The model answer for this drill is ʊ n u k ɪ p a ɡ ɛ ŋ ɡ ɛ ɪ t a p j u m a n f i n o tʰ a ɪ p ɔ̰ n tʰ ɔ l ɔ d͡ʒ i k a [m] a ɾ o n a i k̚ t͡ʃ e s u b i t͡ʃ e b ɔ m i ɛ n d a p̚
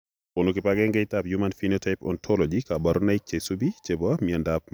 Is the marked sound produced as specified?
no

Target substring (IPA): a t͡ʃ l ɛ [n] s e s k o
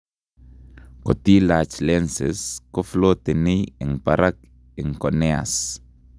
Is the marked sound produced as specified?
yes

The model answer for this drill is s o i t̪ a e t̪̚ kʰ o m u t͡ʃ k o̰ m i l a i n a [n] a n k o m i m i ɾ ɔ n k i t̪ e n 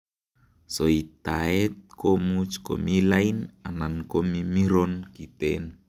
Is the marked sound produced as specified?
yes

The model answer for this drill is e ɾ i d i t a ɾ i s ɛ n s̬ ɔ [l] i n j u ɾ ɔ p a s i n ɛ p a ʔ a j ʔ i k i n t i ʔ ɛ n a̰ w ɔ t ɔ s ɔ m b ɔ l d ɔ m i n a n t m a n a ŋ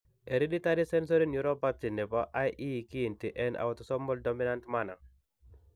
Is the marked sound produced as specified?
no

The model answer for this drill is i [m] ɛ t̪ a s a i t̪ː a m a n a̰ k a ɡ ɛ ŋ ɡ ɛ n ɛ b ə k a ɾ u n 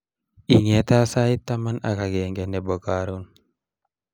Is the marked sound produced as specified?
no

